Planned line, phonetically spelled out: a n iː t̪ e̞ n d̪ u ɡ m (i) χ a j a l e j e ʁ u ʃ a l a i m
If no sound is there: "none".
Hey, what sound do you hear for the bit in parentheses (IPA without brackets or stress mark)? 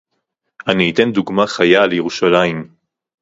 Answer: a